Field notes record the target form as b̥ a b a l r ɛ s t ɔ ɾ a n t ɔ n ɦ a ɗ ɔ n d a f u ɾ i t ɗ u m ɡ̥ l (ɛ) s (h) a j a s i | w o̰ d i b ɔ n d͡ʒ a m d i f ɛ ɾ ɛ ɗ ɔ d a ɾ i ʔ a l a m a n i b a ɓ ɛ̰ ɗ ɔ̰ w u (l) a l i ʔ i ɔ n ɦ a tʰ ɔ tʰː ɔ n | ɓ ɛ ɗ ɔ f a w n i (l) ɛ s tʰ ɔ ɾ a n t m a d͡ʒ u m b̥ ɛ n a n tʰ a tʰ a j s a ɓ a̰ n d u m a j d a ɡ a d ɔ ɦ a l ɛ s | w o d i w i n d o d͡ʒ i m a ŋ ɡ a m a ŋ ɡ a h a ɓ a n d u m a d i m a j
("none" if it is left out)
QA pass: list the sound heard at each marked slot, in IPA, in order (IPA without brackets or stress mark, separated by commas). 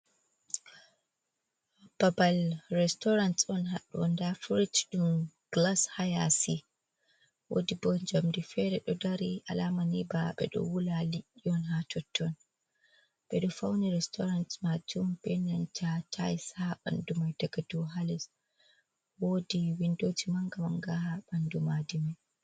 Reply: a, h, l, ɾ